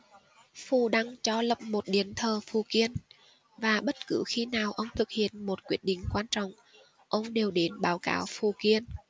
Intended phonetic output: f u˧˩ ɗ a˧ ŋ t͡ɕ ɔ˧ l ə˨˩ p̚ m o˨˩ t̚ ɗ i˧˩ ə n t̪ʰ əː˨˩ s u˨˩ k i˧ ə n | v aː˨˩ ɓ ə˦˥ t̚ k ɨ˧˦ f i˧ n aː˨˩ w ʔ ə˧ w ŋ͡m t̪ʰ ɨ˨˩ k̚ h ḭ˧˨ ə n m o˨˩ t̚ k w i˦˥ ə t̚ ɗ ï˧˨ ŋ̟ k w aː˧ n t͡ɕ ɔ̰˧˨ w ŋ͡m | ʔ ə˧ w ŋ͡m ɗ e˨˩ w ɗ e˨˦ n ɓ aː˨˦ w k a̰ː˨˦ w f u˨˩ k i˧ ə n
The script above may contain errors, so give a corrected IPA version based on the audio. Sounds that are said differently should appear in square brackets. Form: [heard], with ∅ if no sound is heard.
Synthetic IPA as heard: f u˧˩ ɗ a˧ ŋ t͡ɕ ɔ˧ l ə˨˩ p̚ m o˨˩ t̚ ɗ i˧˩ ə n t̪ʰ əː˨˩ [f] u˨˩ k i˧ ə n | v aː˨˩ ɓ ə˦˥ t̚ k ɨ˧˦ [x] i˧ n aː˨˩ w ʔ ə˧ w ŋ͡m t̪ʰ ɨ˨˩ k̚ h ḭ˧˨ ə n m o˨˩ t̚ k w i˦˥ ə t̚ ɗ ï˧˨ ŋ̟ k w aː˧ n t͡ɕ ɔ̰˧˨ w ŋ͡m | ʔ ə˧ w ŋ͡m ɗ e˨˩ w ɗ e˨˦ n ɓ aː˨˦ w k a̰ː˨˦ w f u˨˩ k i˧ ə n

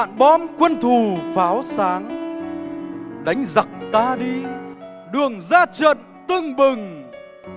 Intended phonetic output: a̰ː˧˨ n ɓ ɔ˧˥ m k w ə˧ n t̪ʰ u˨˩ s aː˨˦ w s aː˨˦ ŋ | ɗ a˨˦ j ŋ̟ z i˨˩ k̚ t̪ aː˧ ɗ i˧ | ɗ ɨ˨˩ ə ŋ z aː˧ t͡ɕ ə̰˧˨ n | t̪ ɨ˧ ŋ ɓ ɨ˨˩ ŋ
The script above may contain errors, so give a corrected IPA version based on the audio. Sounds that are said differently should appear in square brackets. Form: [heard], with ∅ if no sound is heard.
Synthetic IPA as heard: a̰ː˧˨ n ɓ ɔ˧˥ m k w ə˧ n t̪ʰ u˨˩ [f] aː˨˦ w s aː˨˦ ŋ | ɗ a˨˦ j ŋ̟ z [a˨˩] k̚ t̪ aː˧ ɗ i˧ | ɗ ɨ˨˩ ə ŋ z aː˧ t͡ɕ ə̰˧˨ n | t̪ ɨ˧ ŋ ɓ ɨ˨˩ ŋ

